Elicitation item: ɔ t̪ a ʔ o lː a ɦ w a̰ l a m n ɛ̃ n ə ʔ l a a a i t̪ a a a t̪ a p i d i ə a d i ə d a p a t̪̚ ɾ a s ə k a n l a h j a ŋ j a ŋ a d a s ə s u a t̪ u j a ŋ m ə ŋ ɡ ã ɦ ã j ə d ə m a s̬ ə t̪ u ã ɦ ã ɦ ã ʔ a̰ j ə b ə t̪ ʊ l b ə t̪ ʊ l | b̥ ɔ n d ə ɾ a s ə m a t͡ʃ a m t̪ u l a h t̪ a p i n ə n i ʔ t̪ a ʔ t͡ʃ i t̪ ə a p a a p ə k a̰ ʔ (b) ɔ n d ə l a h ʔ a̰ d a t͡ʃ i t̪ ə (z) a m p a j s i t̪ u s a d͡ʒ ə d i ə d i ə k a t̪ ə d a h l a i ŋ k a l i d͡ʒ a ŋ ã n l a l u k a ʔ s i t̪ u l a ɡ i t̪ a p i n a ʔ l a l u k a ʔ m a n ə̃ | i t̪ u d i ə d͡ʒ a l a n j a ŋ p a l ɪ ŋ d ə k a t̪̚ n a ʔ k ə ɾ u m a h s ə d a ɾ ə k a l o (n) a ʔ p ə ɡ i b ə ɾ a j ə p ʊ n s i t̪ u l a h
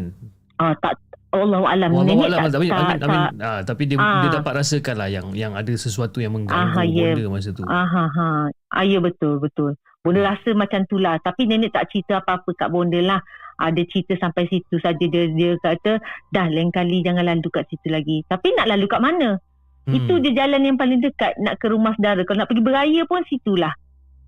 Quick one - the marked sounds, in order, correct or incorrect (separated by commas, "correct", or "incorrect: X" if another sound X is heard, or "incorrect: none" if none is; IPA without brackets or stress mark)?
correct, incorrect: s, correct